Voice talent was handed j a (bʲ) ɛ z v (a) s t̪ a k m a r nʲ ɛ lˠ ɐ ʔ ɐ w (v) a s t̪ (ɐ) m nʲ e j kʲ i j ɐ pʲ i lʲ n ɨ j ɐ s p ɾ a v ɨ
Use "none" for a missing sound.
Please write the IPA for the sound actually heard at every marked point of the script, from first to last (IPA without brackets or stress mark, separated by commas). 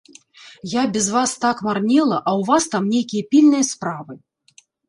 bʲ, a, v, a